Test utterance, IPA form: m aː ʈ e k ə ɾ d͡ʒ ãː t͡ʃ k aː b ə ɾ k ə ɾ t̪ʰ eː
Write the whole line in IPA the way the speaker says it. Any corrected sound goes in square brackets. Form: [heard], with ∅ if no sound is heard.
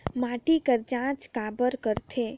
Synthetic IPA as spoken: m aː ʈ [i] k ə ɾ d͡ʒ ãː t͡ʃ k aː b ə ɾ k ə ɾ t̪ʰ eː